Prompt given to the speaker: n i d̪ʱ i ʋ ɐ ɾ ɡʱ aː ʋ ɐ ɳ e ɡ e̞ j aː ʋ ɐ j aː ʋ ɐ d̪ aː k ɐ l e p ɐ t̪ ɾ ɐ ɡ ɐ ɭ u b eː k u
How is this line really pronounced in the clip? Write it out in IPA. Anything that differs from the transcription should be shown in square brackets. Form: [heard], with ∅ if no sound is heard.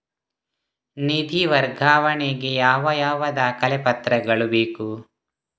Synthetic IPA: n i d̪ʱ i ʋ ɐ ɾ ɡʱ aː ʋ ɐ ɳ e ɡ e̞ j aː ʋ ɐ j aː ʋ ɐ d̪ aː k ɐ l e p ɐ t̪ ɾ ɐ ɡ ɐ ɭ u b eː k u